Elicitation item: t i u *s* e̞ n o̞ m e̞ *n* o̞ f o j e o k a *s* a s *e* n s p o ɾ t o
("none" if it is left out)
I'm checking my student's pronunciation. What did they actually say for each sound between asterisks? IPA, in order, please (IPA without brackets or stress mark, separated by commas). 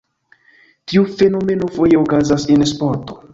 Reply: f, n, z, e